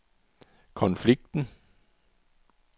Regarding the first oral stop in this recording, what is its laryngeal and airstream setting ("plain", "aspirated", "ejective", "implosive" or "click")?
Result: aspirated